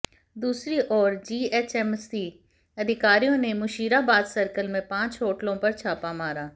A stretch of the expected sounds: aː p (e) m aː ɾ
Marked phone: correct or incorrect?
incorrect